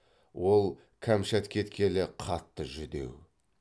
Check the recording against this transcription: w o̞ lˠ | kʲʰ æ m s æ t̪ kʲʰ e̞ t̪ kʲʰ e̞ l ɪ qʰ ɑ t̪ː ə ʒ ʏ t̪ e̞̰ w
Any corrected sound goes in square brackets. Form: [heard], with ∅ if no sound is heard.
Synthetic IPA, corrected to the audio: w o̞ lˠ | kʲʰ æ m [ʃ] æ t̪ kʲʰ e̞ t̪ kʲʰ e̞ l ɪ qʰ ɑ t̪ː ə ʒ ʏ [d̪] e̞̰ w